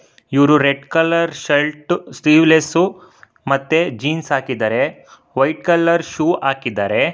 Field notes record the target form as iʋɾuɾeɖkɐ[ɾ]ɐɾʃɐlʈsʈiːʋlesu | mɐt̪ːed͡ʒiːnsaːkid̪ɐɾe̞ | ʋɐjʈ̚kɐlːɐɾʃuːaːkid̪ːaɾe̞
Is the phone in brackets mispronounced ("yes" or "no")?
yes